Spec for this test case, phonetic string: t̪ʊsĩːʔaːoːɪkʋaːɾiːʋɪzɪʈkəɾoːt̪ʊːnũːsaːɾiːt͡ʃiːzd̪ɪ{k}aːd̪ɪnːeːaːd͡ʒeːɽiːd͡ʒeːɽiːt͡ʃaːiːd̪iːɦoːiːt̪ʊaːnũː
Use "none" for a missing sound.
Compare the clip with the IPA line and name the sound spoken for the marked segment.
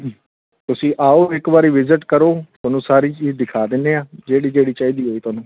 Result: kʰ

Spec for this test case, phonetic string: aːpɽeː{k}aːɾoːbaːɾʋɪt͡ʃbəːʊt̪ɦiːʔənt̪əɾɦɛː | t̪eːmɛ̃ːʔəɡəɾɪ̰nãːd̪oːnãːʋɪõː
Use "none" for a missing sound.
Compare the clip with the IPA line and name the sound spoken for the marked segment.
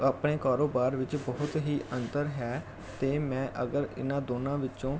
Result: k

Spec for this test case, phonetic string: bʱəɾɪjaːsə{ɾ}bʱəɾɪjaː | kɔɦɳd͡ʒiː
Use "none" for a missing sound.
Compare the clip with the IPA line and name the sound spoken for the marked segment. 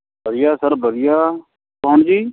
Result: ɾ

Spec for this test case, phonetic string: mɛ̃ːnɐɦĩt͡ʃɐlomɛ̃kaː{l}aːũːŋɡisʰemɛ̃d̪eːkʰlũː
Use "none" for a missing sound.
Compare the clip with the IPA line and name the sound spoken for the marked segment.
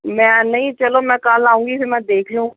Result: l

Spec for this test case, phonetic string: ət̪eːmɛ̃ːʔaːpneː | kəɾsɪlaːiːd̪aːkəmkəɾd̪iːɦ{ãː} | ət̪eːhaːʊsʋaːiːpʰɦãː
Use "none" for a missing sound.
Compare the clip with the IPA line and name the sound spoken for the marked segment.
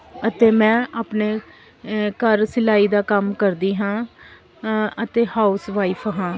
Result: ãː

